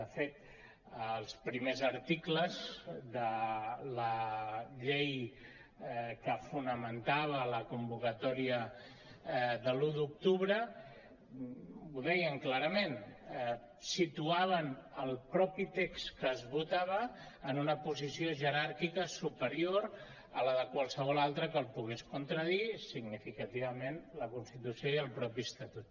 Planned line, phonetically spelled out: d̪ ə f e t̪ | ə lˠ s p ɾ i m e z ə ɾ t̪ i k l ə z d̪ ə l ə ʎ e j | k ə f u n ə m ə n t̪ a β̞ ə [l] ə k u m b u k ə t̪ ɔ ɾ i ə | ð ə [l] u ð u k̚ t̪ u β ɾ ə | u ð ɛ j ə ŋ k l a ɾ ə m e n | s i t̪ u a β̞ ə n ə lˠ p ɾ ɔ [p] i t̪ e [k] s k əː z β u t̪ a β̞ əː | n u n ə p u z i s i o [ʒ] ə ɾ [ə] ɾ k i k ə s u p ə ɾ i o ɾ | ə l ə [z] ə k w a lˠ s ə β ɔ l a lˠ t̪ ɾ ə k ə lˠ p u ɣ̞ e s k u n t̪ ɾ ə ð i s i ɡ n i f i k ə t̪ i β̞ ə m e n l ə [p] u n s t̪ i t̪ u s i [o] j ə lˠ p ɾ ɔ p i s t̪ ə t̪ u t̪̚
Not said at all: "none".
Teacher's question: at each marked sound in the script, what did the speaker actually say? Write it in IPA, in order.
l, l, p, k, ʒ, a, ð, k, o

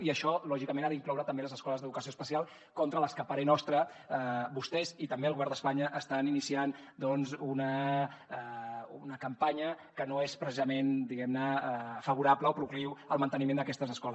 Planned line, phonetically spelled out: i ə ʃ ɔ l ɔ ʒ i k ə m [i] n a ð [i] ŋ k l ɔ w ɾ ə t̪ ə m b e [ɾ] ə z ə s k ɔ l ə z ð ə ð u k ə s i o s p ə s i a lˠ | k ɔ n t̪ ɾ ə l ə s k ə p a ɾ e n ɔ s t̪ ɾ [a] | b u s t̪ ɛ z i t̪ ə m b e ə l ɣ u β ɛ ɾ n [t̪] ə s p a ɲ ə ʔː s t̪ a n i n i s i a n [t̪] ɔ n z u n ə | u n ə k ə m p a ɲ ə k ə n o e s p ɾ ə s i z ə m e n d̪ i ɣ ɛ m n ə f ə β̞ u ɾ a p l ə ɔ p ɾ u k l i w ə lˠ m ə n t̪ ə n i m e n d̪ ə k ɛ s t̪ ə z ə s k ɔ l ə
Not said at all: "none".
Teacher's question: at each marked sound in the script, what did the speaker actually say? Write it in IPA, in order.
e, i, l, ə, d̪, d̪

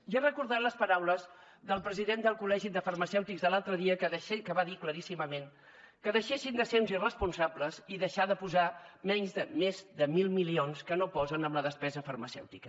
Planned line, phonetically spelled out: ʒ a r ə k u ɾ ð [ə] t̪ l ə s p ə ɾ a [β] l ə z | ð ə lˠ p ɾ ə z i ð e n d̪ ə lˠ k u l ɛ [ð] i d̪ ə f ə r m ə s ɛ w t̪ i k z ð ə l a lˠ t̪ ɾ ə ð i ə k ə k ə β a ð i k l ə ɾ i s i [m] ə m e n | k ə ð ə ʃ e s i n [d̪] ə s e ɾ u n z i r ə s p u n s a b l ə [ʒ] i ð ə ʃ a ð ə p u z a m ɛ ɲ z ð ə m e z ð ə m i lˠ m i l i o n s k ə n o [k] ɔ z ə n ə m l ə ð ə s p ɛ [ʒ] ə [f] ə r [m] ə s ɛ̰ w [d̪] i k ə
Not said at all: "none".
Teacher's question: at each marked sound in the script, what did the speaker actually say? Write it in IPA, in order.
a, w, ʒ, m, d̪, z, p, z, f, m, t̪

